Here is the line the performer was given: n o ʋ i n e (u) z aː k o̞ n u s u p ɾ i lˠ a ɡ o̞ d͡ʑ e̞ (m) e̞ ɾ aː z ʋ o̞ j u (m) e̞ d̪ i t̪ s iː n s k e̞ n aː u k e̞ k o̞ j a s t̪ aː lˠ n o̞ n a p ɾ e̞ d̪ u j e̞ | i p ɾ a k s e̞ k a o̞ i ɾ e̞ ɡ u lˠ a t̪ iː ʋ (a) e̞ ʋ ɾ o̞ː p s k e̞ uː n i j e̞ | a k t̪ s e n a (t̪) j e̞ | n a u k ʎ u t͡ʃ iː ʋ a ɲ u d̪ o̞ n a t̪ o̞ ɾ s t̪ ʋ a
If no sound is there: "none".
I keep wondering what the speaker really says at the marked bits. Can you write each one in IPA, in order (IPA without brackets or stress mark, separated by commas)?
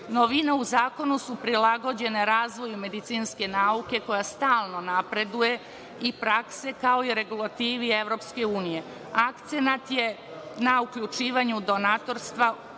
u, n, m, i, t̪